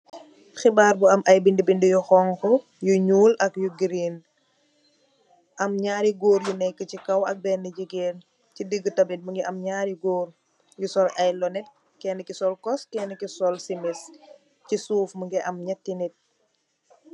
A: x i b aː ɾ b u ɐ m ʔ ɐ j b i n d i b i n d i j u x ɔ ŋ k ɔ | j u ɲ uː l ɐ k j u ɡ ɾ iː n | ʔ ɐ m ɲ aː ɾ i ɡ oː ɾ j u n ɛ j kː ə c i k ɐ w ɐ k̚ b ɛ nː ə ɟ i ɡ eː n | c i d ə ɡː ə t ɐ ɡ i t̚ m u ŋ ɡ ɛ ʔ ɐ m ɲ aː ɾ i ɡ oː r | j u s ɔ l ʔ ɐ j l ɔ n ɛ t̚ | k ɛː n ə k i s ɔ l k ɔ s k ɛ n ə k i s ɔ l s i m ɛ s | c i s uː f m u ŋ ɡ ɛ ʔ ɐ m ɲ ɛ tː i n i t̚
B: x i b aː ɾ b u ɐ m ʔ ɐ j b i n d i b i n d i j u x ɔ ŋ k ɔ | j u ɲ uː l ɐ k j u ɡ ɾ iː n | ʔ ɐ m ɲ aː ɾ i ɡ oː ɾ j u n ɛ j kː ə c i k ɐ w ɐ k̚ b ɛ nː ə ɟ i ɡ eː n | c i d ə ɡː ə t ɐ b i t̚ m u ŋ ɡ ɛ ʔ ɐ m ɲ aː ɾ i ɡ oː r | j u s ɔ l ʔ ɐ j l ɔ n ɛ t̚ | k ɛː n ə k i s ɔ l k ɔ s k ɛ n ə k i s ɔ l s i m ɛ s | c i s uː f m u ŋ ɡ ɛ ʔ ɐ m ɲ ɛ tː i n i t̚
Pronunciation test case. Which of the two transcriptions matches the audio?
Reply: B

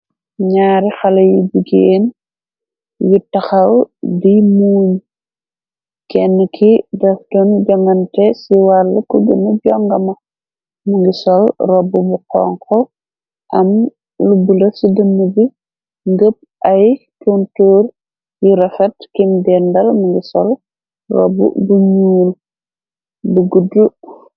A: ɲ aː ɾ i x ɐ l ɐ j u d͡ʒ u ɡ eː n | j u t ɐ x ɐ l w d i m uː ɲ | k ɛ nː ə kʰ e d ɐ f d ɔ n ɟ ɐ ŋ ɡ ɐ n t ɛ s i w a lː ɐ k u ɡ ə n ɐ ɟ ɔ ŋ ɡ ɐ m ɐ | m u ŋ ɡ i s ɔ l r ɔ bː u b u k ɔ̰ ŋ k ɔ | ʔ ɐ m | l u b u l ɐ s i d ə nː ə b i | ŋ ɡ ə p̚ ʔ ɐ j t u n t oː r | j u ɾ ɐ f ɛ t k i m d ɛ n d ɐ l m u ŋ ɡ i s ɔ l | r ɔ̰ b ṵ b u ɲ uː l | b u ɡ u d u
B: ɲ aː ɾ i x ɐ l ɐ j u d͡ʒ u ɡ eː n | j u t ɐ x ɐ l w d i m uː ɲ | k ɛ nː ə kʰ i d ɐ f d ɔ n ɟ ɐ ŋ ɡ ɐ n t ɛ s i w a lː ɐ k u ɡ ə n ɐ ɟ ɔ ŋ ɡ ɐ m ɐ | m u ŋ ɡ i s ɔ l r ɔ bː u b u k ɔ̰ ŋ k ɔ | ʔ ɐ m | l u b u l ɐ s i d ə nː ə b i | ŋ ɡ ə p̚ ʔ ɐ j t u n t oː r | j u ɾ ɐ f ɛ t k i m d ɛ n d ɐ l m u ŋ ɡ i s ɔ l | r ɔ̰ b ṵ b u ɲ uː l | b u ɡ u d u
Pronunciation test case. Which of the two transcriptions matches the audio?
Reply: B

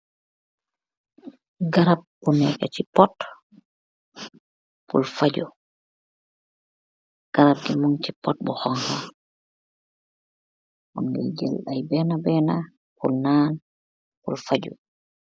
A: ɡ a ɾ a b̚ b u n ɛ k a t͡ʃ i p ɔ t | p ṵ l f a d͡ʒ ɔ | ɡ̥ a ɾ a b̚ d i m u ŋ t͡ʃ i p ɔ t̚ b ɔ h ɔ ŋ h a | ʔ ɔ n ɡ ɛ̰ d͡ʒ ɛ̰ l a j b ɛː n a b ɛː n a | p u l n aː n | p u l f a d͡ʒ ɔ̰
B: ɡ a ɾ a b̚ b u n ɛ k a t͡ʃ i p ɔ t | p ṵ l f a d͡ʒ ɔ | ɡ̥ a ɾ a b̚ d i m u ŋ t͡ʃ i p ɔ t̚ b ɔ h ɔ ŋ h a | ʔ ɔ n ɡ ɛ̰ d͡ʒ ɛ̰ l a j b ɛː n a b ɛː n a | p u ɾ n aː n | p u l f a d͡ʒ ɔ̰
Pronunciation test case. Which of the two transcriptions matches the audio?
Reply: A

